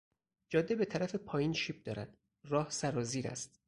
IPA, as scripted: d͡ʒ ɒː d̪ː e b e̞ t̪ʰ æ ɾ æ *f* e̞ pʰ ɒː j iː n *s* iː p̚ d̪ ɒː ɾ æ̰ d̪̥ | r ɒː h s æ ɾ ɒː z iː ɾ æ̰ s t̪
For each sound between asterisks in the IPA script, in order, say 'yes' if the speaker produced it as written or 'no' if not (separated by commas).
yes, no